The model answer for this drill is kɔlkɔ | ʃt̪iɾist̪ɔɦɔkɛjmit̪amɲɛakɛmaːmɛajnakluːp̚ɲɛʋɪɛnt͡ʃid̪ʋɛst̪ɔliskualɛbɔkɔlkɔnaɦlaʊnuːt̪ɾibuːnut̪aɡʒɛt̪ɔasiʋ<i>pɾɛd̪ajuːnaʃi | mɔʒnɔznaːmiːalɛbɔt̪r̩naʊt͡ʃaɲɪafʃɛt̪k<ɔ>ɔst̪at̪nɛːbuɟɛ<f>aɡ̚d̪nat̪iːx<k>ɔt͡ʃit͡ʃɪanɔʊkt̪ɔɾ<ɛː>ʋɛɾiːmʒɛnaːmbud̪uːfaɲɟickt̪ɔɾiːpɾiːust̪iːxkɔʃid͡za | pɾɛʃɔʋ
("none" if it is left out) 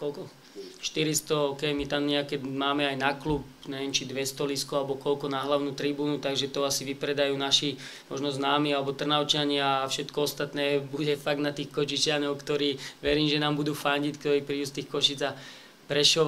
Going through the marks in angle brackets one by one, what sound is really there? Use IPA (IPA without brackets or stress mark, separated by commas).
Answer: i, ɔ, f, k, iː